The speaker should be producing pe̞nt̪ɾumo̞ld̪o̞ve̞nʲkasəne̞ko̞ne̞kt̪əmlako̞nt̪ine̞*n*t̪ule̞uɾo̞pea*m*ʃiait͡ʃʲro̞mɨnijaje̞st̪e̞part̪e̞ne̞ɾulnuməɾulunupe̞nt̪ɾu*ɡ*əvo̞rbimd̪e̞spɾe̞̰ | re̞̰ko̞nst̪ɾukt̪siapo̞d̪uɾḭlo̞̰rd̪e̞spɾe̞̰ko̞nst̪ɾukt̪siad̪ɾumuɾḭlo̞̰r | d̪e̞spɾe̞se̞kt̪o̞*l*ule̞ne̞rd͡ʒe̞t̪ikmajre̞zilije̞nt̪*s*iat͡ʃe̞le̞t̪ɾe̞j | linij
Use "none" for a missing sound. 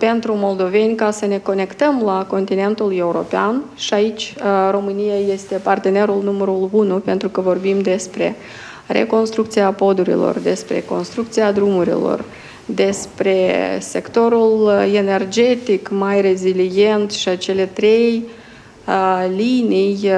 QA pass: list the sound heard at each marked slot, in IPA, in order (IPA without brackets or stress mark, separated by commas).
n, n, k, ɾ, ʃ